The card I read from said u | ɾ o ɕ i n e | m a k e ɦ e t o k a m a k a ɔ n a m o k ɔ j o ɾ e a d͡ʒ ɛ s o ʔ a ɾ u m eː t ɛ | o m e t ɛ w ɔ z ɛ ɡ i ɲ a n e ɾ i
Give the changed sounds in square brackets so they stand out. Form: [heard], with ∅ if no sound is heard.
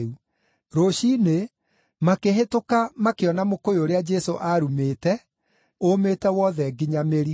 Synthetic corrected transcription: u | ɾ o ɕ i n e | m a k e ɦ e t o k a m a k [e] ɔ n a m o k [o] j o ɾ e a d͡ʒ ɛ s o ʔ a ɾ u m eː t ɛ | o m e t ɛ w ɔ [ð] ɛ ɡ i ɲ a [m] e ɾ i